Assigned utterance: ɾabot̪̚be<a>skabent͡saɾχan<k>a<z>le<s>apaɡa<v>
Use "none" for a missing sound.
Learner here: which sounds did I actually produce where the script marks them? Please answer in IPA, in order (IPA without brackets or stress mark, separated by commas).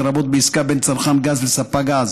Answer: i, ɡ, z, s, z